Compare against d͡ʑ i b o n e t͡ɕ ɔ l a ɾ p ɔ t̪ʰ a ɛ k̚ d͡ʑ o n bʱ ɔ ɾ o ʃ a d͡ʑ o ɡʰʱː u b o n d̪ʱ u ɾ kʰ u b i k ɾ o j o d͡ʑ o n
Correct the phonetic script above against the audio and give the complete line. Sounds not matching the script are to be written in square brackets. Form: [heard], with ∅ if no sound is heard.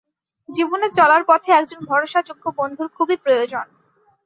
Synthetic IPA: d͡ʑ i b o n e t͡ɕ ɔ l a ɾ p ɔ t̪ʰ [e] ɛ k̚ d͡ʑ o n bʱ ɔ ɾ o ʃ a d͡ʑ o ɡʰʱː [o] b o n d̪ʱ u ɾ kʰ u b i [p] ɾ o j o d͡ʑ o n